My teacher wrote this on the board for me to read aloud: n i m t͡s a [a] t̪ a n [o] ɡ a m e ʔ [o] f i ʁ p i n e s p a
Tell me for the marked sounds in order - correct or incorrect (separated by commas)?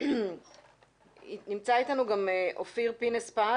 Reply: incorrect, incorrect, correct